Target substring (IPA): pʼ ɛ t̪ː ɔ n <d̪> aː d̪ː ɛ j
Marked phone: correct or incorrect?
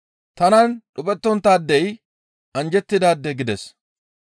incorrect